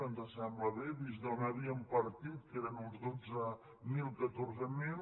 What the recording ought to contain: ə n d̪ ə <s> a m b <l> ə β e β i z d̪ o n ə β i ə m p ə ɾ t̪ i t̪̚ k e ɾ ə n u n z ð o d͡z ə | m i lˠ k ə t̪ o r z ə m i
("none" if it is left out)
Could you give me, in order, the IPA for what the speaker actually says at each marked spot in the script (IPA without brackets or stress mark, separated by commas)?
s, l